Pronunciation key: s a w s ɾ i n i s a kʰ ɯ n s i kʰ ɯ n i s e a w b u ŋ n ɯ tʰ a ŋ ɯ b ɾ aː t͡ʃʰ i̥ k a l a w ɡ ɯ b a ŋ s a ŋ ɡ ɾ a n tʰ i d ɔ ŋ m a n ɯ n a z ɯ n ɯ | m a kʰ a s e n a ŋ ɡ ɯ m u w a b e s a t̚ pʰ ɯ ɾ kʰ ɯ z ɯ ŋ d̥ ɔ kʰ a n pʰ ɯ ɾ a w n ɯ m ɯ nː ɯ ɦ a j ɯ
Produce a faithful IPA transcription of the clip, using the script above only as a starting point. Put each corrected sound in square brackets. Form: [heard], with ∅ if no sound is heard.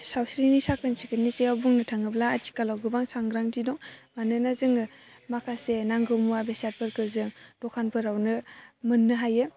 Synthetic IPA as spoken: s a w s ɾ i n i s a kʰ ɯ n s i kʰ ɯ n i s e a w b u ŋ n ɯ tʰ a ŋ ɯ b [l] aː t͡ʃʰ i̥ k a l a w ɡ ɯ b a ŋ s a ŋ ɡ ɾ a [ŋ] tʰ i d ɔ ŋ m a n ɯ n a z ɯ [ŋ] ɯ | m a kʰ a s e n a ŋ ɡ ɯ m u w a b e s a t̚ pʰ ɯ ɾ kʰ ɯ z ɯ ŋ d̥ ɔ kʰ a n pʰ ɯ ɾ a w n ɯ m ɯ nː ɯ ɦ a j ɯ